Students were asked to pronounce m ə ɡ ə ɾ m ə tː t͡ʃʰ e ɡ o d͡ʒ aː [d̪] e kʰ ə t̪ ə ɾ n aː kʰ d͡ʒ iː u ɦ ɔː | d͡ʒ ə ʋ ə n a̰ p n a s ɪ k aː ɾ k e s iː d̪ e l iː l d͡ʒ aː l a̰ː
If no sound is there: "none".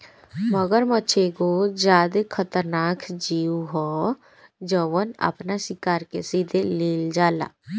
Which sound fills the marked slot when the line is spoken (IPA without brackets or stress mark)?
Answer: d̪